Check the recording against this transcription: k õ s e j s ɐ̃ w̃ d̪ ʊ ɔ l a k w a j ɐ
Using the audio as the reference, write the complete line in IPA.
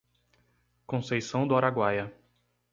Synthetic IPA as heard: k õ s e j s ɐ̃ w̃ d̪ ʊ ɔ ɾ a ɡ w a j ɐ